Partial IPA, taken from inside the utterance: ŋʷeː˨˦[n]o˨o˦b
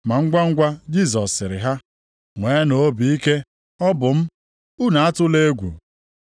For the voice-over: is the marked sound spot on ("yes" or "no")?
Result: yes